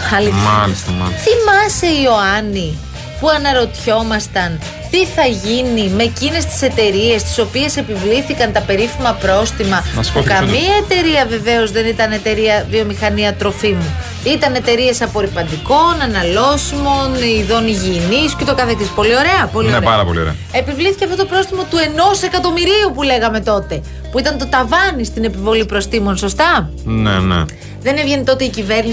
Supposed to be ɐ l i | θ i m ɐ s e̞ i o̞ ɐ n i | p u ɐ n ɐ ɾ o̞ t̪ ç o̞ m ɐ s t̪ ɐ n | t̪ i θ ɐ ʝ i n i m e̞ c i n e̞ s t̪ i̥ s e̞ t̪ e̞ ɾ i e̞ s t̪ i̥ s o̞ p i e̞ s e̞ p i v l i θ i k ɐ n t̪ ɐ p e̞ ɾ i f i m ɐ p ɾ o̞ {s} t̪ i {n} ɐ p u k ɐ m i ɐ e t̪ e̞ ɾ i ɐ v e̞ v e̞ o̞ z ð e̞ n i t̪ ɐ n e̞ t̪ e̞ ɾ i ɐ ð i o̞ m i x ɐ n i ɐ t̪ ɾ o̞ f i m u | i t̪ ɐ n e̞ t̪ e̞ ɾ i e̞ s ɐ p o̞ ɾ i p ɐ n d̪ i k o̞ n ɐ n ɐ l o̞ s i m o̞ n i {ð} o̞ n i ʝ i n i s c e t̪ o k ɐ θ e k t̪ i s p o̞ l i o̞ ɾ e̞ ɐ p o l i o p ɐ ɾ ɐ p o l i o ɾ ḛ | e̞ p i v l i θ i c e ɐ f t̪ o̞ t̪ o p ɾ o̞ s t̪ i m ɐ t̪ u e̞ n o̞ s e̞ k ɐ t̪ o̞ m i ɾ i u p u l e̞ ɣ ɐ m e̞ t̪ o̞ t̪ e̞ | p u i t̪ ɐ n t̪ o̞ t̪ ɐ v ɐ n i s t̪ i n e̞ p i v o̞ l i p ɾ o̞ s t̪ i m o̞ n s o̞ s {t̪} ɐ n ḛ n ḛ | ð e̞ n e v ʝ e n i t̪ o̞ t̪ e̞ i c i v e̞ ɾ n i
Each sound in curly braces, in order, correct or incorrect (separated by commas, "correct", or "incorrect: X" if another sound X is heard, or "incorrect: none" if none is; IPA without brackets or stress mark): correct, incorrect: m, correct, correct